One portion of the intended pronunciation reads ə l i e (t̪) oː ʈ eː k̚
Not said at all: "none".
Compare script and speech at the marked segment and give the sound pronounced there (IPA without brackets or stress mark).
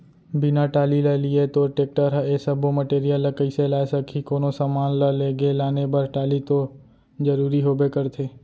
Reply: t̪